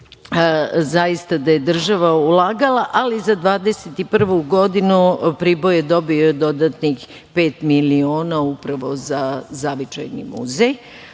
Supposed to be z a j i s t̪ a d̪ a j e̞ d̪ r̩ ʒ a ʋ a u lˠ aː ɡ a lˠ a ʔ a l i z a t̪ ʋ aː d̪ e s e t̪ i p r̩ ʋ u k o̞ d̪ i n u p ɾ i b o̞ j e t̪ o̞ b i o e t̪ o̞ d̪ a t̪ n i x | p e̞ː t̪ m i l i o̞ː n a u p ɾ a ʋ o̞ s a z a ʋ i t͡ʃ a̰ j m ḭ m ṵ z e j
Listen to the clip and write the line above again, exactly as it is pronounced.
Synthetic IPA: z a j i s t̪ a d̪ a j e̞ d̪ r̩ ʒ a ʋ a u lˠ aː ɡ a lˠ a ʔ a l i z a d̪ ʋ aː d̪ e s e t̪ i p r̩ ʋ u ɡ o̞ d̪ i n u p ɾ i b o̞ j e d̪ o̞ b i o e d̪ o̞ d̪ a t̪ n i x | p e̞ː t̪ m i l i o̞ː n a u p ɾ a ʋ o̞ z a z a ʋ i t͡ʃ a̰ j n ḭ m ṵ z e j